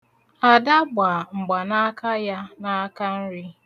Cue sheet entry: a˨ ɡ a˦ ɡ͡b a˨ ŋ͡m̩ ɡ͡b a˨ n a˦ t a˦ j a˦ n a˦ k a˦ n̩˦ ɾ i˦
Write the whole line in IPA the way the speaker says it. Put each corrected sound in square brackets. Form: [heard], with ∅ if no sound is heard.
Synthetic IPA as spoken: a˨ [d] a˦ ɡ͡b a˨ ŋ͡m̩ ɡ͡b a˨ n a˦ [k] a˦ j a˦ n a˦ k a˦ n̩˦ ɾ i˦